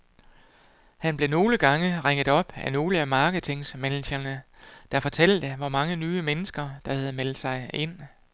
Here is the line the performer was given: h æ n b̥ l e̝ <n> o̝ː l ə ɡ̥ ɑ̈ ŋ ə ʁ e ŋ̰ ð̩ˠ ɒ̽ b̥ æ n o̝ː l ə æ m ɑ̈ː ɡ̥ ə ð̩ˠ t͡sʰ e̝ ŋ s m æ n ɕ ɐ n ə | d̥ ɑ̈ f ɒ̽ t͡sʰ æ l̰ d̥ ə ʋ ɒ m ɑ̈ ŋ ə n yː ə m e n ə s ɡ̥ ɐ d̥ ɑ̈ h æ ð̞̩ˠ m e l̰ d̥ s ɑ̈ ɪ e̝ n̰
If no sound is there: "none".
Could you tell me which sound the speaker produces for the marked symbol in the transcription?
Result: n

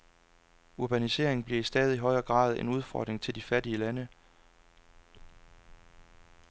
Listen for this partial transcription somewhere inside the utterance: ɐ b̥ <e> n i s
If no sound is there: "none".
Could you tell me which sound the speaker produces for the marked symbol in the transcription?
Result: æ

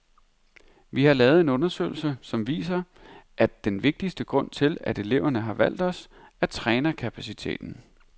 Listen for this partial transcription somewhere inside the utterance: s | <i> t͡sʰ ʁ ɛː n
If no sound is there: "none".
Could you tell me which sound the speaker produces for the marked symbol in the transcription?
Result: æ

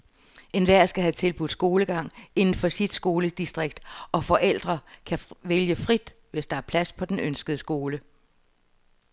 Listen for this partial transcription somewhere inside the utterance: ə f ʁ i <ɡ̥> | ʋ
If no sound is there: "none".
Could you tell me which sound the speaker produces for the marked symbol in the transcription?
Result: d̥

